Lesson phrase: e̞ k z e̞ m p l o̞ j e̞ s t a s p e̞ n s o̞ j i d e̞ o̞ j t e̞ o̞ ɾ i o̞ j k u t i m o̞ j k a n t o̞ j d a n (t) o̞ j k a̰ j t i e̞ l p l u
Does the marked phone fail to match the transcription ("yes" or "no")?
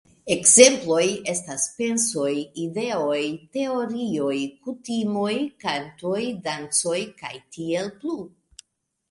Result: yes